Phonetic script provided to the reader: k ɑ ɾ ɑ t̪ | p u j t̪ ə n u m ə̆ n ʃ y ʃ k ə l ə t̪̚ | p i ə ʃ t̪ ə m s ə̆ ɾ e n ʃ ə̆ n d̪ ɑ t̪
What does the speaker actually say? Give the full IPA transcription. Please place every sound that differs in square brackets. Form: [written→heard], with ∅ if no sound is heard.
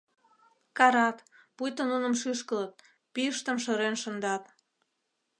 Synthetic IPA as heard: k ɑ ɾ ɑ t̪ | p u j t̪ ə n u [m→n] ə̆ [n→m] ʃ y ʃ k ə l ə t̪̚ | p i ə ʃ t̪ ə m [s→ʃ] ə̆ ɾ e n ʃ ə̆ n d̪ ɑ t̪